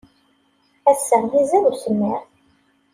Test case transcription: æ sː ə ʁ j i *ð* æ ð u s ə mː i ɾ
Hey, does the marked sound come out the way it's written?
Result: no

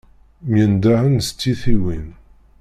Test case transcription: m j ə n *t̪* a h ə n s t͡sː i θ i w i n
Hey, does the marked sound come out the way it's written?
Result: no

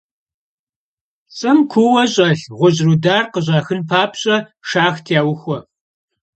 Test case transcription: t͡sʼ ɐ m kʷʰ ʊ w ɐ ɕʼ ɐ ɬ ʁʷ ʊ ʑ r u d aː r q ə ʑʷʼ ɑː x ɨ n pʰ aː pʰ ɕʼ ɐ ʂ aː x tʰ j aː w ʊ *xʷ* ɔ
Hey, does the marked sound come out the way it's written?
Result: yes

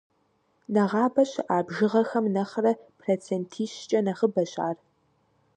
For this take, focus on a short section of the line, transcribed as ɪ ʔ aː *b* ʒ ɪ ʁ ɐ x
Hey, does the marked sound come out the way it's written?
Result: yes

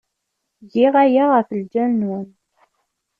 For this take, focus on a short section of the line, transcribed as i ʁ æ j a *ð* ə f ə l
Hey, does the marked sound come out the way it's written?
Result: no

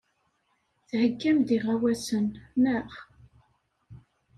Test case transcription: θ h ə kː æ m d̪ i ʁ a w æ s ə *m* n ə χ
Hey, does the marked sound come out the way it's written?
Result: no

